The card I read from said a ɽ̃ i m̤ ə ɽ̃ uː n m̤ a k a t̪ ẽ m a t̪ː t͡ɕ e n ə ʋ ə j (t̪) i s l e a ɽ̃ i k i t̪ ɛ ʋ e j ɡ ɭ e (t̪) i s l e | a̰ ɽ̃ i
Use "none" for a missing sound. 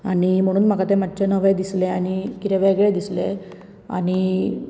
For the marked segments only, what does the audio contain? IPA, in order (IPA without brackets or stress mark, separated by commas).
d̪, d̪